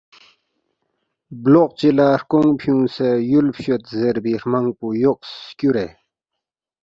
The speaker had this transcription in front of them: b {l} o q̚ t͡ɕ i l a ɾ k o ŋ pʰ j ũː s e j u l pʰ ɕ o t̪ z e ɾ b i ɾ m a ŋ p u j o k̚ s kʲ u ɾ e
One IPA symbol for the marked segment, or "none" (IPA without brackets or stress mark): l